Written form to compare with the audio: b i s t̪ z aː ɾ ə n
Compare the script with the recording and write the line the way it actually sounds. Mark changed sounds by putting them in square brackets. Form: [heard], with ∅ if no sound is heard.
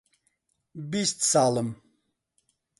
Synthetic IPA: b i s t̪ [s] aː [l] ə [m]